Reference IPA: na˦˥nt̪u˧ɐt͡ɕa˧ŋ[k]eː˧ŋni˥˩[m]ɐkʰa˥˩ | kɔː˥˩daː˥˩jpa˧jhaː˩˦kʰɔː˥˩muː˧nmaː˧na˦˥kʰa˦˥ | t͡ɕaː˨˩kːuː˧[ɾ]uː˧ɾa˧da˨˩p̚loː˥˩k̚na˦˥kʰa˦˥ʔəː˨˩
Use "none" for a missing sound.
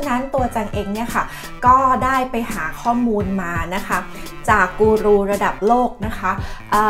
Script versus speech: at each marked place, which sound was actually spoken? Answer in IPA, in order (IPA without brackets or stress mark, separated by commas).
ʔ, none, ɾ